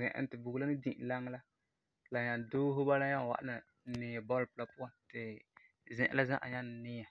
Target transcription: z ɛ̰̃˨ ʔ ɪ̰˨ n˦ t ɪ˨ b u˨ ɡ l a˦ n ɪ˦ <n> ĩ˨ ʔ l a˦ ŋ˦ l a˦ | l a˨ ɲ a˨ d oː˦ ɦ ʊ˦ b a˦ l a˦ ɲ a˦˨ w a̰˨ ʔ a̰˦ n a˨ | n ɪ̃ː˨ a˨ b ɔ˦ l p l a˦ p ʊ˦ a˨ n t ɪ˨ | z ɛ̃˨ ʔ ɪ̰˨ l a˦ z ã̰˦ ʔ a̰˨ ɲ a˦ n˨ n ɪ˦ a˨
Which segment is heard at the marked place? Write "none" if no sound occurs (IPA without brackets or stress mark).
d